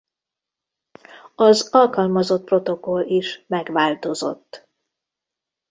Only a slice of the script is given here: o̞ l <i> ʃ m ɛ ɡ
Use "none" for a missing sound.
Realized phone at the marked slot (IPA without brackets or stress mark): i